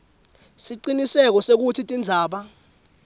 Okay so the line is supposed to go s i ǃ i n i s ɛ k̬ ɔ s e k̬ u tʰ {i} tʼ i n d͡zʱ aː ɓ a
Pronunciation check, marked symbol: correct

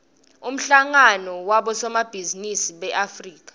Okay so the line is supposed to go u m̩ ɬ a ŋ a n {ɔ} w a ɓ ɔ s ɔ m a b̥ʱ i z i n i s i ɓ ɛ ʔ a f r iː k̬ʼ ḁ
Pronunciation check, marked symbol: correct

